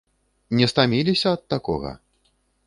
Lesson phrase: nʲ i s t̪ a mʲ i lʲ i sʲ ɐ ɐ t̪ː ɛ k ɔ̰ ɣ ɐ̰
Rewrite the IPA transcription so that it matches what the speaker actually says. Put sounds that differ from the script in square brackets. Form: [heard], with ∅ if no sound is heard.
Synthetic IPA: nʲ [ɛ] s t̪ a mʲ i lʲ i sʲ ɐ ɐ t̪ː [a] k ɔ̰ ɣ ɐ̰